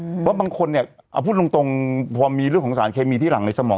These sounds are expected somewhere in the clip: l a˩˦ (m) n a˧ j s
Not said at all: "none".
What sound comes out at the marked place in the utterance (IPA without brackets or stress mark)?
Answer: ŋ